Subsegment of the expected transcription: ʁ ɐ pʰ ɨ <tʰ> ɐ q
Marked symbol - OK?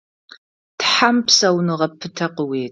yes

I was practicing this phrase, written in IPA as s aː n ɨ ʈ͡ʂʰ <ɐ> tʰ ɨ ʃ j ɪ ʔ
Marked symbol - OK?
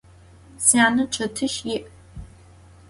yes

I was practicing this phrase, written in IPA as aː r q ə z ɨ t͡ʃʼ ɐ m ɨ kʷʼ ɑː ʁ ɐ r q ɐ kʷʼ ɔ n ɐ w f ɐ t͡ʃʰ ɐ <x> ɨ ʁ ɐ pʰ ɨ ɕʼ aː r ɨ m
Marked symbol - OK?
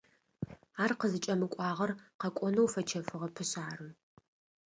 no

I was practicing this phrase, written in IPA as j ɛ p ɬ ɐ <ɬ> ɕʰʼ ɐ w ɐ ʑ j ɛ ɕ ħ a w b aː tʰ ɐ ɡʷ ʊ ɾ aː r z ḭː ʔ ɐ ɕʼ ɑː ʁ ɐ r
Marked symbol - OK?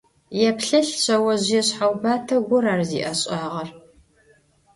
yes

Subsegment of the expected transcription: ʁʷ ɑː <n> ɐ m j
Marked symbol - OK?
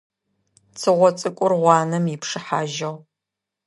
yes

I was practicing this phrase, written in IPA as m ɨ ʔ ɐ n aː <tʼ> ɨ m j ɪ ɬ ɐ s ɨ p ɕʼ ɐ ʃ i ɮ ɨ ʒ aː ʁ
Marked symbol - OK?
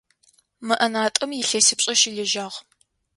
yes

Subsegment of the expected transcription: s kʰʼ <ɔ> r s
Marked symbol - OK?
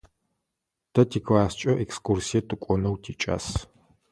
no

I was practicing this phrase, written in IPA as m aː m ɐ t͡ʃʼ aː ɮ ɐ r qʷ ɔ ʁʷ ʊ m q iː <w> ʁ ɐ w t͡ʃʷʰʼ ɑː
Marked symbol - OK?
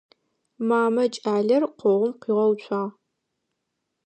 no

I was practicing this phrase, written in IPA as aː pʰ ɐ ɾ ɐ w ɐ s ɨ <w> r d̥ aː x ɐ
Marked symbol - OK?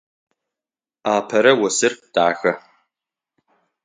no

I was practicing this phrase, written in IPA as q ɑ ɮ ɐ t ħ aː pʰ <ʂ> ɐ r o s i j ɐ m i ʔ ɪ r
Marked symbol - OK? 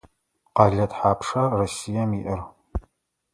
yes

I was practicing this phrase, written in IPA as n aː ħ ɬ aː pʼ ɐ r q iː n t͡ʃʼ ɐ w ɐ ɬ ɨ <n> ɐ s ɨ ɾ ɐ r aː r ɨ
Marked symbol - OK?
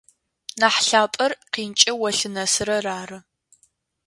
yes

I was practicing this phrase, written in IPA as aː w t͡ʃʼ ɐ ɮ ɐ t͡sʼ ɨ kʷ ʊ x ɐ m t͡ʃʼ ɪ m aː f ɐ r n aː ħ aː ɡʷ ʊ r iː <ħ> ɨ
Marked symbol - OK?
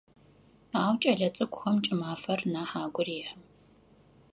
yes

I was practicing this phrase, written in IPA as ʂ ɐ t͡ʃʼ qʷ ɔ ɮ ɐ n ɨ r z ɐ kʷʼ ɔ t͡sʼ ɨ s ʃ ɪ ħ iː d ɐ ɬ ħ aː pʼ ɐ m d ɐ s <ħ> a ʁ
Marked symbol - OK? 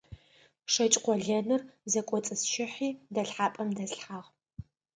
yes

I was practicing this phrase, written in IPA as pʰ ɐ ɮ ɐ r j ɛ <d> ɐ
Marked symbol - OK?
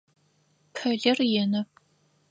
no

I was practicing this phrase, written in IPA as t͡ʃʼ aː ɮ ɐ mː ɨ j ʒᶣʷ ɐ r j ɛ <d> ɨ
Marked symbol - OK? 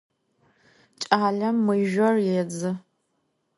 no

